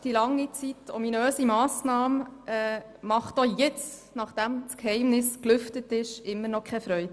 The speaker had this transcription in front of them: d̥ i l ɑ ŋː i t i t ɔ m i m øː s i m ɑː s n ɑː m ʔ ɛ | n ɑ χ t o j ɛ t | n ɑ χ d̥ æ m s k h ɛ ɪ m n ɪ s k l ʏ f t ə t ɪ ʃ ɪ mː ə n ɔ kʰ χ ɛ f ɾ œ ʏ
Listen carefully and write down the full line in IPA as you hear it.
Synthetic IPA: d̥ i l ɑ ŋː i t͡s i t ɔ m i n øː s i m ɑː s n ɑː m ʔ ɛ | m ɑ χ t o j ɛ t͡s | n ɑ χ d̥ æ m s k h ɛ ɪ m n ɪ s k l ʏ f t ə t ɪ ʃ ɪ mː ə n ɔ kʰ χ ɛ f ɾ œ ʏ